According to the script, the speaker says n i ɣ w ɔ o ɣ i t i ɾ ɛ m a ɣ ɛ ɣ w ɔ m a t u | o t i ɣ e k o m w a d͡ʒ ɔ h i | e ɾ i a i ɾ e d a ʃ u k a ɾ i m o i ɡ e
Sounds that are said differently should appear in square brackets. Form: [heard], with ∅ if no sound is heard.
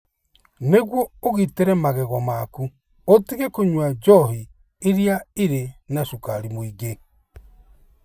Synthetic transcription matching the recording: n [e] ɣ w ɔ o ɣ i t [e] ɾ ɛ m a ɣ ɛ ɣ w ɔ m a [k] u | o t i ɣ e k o [ɲ] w a d͡ʒ ɔ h i | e ɾ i a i ɾ e [n] a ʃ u k a ɾ i m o i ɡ e